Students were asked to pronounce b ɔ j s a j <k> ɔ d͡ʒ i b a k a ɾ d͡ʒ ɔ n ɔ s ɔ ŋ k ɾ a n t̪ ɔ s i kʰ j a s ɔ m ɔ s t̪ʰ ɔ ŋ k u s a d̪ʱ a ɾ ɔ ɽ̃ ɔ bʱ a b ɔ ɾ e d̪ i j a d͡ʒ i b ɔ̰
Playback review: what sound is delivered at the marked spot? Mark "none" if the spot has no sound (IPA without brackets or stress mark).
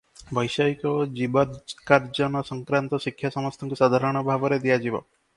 k